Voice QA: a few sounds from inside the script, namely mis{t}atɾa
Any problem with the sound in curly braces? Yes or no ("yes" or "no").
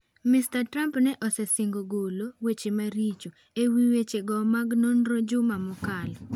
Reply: no